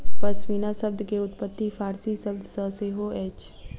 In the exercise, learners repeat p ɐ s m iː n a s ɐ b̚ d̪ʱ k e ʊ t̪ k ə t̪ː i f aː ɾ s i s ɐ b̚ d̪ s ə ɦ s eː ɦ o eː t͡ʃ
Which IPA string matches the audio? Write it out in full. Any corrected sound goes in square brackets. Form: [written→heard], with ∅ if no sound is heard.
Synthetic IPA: p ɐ s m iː n a s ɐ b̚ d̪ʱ k e ʊ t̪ [k→p] ə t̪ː i f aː ɾ s i s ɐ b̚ d̪ s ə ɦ s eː ɦ o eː t͡ʃ